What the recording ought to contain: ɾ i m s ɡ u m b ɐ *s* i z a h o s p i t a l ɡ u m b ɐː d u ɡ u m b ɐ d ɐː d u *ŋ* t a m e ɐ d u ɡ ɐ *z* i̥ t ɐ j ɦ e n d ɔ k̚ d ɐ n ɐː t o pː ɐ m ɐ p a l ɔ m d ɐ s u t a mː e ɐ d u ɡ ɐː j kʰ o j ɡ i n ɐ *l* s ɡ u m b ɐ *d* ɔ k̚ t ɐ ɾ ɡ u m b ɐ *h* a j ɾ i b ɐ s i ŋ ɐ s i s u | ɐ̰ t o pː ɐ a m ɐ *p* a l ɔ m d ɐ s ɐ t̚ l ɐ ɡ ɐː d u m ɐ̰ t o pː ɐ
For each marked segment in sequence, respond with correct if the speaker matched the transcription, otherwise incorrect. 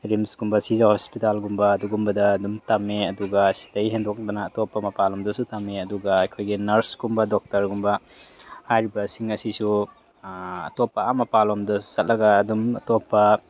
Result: correct, incorrect, incorrect, incorrect, correct, correct, correct

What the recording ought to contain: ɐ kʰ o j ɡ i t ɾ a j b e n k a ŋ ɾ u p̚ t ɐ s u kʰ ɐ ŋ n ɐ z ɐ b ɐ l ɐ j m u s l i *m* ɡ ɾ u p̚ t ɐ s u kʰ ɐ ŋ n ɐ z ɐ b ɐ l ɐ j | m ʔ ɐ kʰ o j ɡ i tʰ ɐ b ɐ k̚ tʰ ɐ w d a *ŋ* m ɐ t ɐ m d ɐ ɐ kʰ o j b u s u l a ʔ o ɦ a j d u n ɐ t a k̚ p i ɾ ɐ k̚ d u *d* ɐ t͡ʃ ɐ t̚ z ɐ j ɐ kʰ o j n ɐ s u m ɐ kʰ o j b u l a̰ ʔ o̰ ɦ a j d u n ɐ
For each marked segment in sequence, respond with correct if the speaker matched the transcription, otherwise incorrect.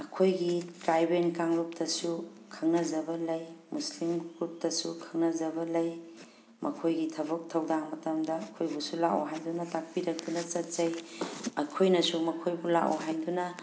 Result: correct, correct, incorrect

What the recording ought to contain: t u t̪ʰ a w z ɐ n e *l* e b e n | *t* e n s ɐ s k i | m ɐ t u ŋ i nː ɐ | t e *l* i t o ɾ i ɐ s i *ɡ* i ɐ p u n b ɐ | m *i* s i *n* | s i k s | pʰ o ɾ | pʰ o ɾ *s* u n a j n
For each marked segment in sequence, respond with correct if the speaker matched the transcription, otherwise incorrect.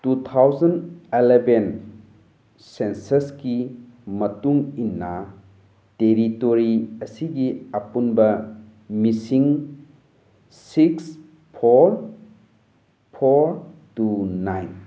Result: correct, incorrect, incorrect, correct, correct, incorrect, incorrect

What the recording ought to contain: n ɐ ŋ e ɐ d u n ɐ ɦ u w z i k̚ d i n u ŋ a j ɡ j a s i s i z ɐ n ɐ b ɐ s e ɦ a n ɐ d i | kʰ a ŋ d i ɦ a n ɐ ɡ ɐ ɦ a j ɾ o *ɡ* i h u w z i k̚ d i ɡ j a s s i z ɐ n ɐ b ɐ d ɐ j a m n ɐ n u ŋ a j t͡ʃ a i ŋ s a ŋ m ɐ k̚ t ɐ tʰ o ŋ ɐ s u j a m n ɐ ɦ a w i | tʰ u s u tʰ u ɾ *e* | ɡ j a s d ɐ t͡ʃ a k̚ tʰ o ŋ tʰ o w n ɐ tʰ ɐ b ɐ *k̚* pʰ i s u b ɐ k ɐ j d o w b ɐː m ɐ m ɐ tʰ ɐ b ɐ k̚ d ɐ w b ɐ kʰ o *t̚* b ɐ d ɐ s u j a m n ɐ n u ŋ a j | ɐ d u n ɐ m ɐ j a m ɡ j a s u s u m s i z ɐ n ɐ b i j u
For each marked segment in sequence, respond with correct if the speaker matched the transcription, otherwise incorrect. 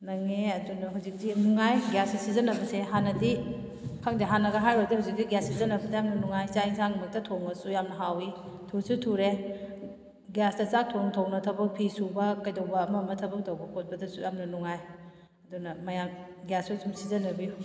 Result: incorrect, correct, correct, correct

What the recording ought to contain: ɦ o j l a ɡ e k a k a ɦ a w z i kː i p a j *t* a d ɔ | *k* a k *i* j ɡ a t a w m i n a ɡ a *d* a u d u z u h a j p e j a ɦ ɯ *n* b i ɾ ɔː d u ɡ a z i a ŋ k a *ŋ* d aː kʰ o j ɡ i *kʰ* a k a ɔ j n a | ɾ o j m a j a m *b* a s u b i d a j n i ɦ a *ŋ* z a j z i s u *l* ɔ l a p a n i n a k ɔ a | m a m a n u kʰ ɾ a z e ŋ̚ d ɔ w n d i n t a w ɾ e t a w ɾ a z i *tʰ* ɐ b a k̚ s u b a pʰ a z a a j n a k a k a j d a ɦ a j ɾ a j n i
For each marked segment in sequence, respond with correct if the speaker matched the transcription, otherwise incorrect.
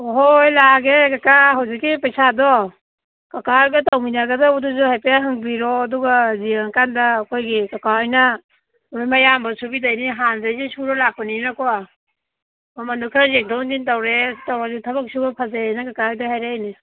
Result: incorrect, correct, incorrect, correct, incorrect, incorrect, incorrect, correct, incorrect, incorrect, correct

